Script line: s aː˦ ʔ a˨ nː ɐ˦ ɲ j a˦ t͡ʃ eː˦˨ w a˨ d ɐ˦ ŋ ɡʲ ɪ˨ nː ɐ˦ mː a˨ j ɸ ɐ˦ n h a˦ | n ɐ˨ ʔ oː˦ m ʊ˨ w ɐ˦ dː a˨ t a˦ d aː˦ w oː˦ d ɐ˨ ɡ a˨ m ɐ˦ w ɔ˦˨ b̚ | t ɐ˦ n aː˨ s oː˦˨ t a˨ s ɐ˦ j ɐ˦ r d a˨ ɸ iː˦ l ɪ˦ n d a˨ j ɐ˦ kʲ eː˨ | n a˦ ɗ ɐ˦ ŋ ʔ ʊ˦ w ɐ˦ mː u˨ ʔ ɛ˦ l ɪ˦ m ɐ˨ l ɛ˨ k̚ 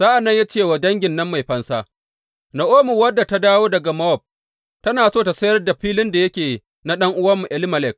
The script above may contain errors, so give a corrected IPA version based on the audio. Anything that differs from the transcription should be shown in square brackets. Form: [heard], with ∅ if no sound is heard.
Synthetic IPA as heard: [z] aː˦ ʔ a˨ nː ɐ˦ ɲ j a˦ t͡ʃ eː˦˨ w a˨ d ɐ˦ ŋ ɡʲ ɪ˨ nː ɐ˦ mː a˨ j ɸ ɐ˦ n [s] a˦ | n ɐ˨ ʔ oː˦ m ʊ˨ w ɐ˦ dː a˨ t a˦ d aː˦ w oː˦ d ɐ˨ ɡ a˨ m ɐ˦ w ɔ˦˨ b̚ | t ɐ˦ n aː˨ s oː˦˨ t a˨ s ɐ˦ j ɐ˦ r d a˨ ɸ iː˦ l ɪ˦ n d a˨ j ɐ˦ kʲ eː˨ | n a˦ ɗ ɐ˦ ŋ ʔ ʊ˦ w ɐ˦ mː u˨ ʔ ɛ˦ l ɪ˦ m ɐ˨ l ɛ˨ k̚

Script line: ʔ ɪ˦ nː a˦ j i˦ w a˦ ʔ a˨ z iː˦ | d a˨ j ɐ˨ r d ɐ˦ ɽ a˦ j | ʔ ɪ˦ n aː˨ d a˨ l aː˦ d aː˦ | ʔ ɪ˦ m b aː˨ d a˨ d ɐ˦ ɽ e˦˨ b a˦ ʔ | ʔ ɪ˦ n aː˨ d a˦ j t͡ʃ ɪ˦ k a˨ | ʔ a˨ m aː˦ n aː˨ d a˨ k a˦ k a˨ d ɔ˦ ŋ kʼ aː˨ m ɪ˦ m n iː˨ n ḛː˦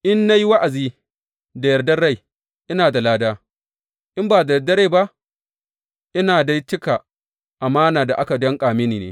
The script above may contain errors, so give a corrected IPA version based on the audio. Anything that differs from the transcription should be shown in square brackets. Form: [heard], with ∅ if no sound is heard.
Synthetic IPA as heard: ʔ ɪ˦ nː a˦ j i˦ w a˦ ʔ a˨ z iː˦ | d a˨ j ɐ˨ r d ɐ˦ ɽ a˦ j | ʔ ɪ˦ n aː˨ d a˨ l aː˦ d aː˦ | ʔ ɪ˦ m b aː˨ d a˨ d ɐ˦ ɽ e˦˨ b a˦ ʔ | ʔ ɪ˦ n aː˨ d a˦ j t͡ʃ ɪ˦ k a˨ | ʔ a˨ m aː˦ n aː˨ d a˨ [ʔ] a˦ k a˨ d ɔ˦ ŋ kʼ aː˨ m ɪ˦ [∅] n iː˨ n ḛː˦

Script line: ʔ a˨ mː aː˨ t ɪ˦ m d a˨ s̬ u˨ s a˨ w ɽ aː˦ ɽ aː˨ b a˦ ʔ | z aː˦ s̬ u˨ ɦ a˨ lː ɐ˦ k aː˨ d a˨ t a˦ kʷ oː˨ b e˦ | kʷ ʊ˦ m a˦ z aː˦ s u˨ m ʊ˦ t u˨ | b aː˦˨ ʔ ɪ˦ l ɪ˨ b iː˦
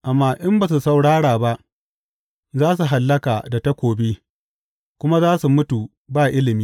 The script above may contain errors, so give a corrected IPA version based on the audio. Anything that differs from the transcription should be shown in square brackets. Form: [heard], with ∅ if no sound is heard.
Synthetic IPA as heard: ʔ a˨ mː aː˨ [ʔ] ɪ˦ m [b] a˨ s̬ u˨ s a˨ w ɽ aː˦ ɽ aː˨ b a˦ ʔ | z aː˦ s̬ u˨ ɦ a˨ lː ɐ˦ k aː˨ d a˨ t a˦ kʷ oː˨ b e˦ | kʷ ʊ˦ m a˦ z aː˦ s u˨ m ʊ˦ t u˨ | b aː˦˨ ʔ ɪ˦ l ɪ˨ [m] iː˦

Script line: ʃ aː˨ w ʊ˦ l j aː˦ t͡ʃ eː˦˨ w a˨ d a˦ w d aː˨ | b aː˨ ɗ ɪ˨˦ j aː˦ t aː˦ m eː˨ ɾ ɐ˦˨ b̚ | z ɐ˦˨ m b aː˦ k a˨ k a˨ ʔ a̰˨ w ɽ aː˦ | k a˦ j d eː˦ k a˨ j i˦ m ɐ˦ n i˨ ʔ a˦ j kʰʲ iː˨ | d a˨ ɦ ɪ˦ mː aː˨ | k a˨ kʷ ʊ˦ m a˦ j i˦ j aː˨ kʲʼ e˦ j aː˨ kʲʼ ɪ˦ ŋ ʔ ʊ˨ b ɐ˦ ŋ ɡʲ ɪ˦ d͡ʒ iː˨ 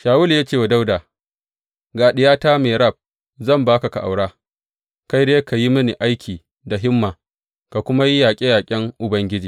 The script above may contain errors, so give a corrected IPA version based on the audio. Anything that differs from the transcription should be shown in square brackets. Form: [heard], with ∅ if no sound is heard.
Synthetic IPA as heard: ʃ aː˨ w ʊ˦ l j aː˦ t͡ʃ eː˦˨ w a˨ d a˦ w d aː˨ | [ɡ] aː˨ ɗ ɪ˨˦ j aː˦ t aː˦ m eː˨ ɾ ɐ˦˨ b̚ | z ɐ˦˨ m b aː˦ k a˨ k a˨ ʔ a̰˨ w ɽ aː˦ | k a˦ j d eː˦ k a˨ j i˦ m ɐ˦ n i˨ ʔ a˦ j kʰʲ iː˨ | d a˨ ɦ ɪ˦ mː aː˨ | k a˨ kʷ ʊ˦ m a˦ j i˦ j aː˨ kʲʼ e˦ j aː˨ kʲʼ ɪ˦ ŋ ʔ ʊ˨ b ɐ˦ ŋ ɡʲ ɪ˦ d͡ʒ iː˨

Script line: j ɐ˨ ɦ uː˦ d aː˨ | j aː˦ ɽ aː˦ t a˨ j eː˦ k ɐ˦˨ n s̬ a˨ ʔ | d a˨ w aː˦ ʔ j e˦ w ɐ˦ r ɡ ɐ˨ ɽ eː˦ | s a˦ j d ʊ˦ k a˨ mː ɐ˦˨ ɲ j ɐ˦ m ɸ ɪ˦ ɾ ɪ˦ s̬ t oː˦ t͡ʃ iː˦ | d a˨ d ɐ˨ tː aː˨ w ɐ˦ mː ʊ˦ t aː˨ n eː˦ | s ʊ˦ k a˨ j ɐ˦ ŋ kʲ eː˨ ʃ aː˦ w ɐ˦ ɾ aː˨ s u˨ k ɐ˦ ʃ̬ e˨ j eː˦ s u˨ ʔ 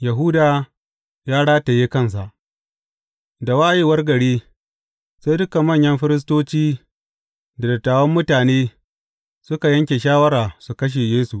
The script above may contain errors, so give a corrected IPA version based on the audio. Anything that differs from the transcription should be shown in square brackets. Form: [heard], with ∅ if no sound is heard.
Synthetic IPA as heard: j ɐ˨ ɦ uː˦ d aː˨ | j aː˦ ɽ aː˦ t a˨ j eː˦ k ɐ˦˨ n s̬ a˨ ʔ | d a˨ w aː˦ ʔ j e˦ w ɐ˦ r ɡ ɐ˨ ɽ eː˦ | s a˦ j d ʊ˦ k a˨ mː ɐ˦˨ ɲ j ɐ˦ m ɸ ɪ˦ ɾ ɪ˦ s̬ t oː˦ t͡ʃ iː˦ | d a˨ d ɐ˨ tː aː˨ w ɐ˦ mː ʊ˦ t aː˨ n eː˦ | s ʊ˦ k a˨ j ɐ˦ ŋ kʲ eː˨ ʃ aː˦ w ɐ˦ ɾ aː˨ s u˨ k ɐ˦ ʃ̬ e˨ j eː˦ s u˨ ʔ

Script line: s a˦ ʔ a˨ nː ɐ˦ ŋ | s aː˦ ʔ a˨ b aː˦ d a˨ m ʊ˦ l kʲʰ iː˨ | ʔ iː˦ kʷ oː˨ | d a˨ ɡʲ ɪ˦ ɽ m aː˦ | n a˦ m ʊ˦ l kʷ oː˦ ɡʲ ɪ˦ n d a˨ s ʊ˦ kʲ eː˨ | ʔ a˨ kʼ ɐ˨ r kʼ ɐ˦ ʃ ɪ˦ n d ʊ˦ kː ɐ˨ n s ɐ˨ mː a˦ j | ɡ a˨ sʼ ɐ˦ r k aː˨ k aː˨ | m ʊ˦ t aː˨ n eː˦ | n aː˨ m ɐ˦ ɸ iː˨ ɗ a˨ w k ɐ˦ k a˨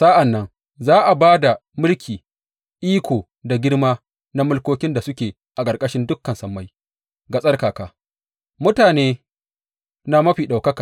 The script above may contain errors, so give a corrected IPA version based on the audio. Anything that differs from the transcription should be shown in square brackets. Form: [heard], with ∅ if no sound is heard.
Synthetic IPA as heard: s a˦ ʔ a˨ nː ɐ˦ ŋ | [z] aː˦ ʔ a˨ b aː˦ d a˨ m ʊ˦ l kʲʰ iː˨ | ʔ iː˦ kʷ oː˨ | d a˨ ɡʲ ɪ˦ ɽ m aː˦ | n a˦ m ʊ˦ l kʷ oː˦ [kʲ] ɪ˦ n d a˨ s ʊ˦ kʲ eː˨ | ʔ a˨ kʼ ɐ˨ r kʼ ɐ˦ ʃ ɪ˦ n d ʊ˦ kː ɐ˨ n s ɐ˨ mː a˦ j | ɡ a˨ sʼ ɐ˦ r k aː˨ k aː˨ | m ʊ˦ t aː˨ n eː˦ | n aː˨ m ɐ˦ ɸ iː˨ ɗ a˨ w k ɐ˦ k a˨

